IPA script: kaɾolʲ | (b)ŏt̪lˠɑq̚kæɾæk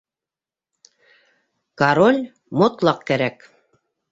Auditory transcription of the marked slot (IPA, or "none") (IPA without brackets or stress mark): m